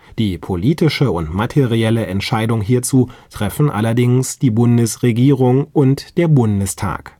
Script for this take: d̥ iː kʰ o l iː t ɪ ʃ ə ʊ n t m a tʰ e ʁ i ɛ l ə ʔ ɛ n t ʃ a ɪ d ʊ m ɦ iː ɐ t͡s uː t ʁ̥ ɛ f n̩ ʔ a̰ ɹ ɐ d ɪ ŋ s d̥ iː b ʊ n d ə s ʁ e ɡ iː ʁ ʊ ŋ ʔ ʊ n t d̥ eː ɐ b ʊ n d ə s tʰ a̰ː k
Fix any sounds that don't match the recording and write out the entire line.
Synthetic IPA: d̥ iː pʰ o l iː t ɪ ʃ ə ʊ n t m a tʰ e ʁ i ɛ l ə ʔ ɛ n t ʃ a ɪ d ʊ ŋ ɦ iː ɐ t͡s uː t ʁ̥ ɛ f n̩ ʔ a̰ l ɐ d ɪ ŋ s d̥ iː b ʊ n d ə s ʁ e ɡ iː ʁ ʊ ŋ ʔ ʊ n t d̥ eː ɐ b ʊ n d ə s tʰ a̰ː k